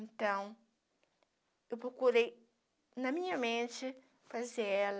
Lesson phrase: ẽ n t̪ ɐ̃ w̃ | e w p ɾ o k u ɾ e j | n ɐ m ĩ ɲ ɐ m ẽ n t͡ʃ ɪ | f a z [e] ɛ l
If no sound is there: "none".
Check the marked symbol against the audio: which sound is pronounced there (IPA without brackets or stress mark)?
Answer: e